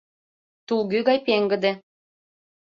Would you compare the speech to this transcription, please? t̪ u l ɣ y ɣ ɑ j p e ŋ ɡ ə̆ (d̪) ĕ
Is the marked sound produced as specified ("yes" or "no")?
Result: yes